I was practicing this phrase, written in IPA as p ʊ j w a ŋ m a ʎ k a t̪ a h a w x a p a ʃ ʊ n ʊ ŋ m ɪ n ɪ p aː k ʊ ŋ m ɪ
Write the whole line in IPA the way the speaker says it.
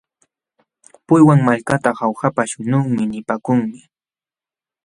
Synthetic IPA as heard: p ʊ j w a ŋ m a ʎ k a t̪ a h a w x a p a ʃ ʊ n ʊ ŋ m ɪ n ɪ p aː k ʊ ŋ m ɪ